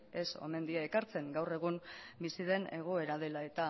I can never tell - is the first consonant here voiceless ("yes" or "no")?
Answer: yes